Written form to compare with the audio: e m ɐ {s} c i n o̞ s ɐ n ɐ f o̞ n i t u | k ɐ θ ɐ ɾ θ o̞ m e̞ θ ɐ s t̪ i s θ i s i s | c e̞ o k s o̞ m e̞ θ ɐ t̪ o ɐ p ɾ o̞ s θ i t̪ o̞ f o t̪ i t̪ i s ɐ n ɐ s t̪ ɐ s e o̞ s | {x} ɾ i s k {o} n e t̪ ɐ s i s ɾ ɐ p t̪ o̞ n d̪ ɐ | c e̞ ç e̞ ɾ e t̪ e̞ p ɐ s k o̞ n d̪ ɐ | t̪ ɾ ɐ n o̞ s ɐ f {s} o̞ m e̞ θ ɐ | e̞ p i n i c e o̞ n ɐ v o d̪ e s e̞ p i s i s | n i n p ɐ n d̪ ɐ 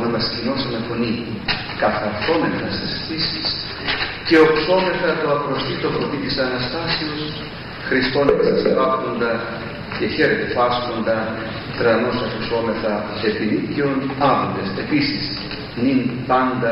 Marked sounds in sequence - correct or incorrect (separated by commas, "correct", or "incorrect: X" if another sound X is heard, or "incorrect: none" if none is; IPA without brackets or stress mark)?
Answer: correct, correct, correct, correct